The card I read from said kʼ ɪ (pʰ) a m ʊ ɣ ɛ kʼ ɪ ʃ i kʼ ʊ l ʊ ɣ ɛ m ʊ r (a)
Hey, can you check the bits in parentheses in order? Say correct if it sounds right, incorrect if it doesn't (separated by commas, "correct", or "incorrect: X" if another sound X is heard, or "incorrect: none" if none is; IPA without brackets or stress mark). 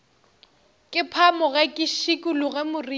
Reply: correct, incorrect: i